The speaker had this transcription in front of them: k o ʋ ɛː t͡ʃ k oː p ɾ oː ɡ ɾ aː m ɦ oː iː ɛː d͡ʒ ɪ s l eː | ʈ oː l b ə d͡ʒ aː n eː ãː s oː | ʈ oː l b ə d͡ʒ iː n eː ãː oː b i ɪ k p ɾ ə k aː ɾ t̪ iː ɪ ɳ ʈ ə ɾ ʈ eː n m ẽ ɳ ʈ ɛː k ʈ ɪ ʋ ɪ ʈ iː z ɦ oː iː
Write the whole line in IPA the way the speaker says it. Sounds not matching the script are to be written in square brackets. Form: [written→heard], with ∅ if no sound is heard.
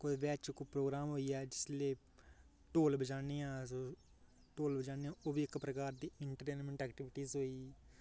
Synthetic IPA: k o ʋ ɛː t͡ʃ k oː p ɾ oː ɡ ɾ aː m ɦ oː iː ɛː d͡ʒ ɪ s l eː | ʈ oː l b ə d͡ʒ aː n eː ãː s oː | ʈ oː l b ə d͡ʒ [iː→aː] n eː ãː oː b i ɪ k p ɾ ə k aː ɾ [t̪→d̪] iː ɪ ɳ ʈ ə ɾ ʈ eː n m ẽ ɳ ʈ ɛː k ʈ ɪ ʋ ɪ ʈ iː z ɦ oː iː